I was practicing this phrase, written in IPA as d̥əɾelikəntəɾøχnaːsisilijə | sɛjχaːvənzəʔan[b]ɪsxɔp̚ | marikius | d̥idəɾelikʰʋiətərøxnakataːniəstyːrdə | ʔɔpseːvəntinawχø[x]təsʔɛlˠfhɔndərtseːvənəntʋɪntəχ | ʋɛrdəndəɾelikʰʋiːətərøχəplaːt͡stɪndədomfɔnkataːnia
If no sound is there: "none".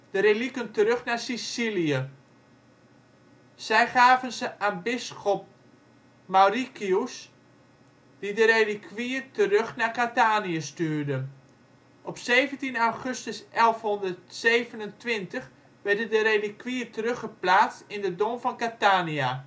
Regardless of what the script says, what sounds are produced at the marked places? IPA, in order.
b, s

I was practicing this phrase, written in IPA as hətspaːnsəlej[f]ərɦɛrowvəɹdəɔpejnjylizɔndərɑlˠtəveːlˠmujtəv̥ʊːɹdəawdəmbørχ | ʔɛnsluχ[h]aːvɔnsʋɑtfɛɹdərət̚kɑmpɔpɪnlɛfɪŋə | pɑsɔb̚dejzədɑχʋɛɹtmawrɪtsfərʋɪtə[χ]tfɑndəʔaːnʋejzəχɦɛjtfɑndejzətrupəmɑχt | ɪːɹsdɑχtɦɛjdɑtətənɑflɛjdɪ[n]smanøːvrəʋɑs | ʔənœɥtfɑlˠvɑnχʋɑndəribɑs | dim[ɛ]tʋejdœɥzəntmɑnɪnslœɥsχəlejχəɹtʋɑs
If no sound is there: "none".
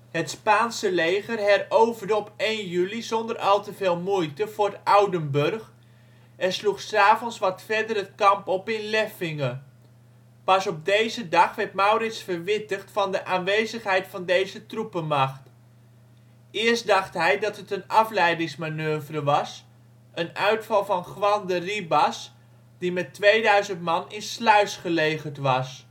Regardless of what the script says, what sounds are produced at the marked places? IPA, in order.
χ, s, χ, ŋ, ɛ

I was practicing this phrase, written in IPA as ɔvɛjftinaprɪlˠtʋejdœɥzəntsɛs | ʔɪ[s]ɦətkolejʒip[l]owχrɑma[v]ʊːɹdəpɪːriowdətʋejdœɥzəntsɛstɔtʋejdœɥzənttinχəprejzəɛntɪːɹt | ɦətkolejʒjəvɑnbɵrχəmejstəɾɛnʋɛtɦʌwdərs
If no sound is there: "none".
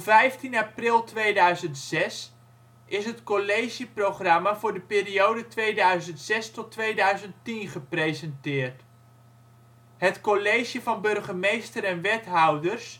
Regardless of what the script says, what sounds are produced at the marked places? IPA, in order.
s, r, v

